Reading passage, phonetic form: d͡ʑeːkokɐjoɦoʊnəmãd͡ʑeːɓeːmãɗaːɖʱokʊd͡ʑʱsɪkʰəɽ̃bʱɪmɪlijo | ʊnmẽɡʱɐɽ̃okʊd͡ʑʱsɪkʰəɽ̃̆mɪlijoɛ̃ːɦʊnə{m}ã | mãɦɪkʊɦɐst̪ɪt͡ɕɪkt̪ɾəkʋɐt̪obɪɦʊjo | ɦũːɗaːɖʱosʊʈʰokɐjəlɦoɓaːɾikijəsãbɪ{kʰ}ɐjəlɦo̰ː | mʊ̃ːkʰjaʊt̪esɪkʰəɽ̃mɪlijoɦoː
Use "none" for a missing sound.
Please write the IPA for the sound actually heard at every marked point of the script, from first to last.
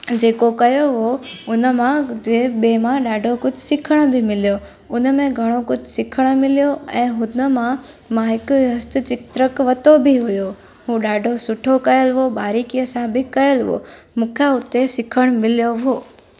m, k

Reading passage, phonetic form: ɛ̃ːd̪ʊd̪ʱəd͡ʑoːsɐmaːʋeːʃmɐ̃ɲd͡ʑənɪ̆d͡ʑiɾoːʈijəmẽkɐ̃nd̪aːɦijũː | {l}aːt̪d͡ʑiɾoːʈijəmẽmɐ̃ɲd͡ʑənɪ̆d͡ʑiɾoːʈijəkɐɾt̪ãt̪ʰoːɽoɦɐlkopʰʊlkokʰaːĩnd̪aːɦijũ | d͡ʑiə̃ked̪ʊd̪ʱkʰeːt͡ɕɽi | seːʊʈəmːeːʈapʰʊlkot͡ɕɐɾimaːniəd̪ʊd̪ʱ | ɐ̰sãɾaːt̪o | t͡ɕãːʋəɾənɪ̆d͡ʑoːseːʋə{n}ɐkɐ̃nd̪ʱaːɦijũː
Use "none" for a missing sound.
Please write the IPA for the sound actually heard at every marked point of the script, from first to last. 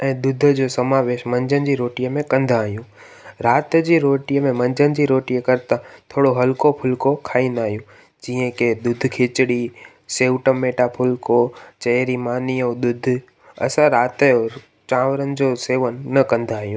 ɾ, nː

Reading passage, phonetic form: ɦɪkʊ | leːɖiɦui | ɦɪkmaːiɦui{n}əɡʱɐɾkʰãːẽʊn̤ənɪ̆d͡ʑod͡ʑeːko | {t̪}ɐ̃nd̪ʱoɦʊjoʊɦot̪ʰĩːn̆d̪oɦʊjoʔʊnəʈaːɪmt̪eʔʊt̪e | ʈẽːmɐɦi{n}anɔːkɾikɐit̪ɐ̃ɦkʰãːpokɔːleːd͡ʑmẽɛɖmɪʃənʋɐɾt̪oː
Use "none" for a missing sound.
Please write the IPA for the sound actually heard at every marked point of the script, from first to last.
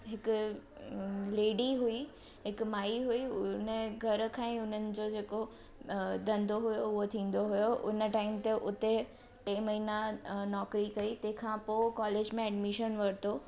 n, d̪, n

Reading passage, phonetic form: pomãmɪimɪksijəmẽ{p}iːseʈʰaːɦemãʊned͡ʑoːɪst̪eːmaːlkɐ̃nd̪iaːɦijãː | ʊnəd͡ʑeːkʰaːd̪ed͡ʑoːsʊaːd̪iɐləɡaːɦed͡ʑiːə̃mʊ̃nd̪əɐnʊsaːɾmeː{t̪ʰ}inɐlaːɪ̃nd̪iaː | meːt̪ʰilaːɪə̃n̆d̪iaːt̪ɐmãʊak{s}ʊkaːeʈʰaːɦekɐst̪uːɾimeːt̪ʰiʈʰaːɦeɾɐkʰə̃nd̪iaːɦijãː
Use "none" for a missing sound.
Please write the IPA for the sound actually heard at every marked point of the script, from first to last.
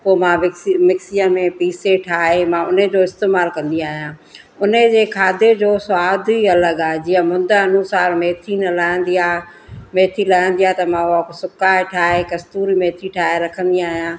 p, t̪ʰ, s

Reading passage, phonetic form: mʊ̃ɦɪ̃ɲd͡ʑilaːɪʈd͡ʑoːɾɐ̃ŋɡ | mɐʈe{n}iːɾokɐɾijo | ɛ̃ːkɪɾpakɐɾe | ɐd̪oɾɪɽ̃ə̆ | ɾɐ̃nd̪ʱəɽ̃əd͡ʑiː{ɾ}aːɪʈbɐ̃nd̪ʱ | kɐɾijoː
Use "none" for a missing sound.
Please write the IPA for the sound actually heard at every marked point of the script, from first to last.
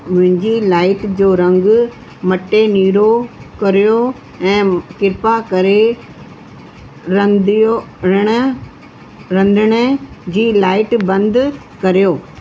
n, l

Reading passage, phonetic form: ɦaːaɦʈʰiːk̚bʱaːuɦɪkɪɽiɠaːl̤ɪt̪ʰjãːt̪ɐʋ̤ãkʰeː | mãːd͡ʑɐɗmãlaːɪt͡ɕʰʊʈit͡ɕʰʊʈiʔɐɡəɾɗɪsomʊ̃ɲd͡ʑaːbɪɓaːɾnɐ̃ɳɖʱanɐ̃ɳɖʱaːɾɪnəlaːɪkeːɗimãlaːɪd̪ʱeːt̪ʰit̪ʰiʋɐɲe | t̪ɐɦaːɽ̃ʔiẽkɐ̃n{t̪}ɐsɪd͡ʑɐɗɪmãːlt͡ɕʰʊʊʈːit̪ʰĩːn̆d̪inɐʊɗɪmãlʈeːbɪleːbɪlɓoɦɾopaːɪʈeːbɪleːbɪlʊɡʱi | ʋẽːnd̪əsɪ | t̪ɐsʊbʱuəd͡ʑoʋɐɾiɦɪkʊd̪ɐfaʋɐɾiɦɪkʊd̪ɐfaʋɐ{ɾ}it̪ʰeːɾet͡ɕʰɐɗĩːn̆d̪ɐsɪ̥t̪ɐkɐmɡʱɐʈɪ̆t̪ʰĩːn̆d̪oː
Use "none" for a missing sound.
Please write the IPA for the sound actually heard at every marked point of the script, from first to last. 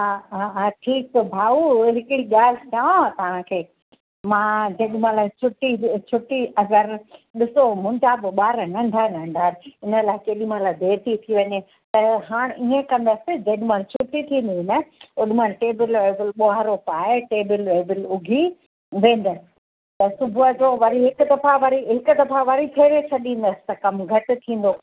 d̪, ɾ

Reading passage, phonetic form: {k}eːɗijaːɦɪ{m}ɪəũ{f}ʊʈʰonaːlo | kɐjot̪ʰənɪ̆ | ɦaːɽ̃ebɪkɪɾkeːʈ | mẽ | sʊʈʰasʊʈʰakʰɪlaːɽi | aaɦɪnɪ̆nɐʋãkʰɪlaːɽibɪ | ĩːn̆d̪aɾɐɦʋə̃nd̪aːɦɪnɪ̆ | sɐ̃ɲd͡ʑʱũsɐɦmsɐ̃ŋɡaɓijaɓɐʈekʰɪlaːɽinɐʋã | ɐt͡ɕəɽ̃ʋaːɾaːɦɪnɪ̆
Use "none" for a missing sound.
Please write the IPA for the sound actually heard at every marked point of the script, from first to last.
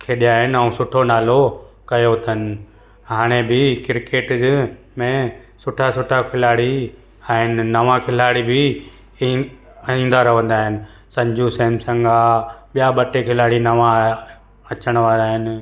kʰ, n, s

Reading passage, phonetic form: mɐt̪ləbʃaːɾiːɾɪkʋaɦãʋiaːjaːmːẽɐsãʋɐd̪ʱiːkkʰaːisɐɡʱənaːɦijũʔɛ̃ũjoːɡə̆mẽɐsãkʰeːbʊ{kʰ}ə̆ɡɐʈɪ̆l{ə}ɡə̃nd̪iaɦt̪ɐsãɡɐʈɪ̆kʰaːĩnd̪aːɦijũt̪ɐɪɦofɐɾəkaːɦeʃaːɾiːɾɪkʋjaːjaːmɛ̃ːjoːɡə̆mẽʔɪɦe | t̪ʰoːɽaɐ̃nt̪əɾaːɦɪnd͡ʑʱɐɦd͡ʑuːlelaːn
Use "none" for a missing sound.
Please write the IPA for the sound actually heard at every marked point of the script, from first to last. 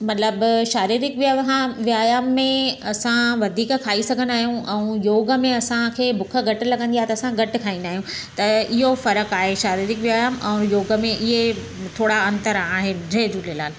kʰ, ɐ

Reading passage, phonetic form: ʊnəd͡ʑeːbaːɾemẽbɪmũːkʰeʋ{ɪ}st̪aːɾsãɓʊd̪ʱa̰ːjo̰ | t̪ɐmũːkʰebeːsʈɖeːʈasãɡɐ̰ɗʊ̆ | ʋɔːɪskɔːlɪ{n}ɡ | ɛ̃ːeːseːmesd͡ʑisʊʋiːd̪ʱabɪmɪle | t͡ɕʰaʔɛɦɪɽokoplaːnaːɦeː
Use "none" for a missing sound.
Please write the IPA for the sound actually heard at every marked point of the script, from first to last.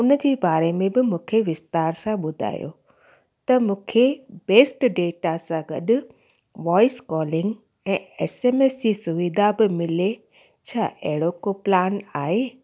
ɪ, ŋ

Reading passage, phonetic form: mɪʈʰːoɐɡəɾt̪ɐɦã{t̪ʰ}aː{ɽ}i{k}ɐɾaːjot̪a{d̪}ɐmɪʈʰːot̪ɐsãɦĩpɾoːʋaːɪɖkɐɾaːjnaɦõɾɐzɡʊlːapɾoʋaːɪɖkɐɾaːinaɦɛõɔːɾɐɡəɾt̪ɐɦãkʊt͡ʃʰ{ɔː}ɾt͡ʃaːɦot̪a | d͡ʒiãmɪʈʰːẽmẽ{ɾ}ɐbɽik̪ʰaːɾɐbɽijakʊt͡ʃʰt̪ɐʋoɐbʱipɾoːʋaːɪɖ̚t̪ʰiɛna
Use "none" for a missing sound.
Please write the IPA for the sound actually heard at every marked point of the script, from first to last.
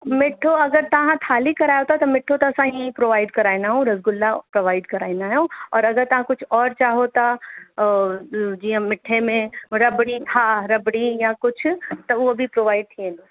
t̪ʰ, l, k, t̪, ɔː, ɾ

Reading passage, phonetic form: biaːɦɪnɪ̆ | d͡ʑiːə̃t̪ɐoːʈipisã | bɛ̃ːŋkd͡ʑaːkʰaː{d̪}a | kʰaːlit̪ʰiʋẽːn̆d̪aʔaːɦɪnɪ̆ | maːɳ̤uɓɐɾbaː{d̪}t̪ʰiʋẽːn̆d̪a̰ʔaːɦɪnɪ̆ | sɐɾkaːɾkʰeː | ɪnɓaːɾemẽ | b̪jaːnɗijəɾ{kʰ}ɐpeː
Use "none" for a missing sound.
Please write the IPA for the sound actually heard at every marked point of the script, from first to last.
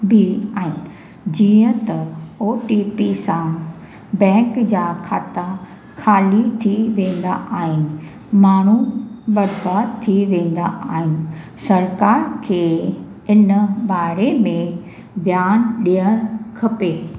t̪, d̪, kʰ

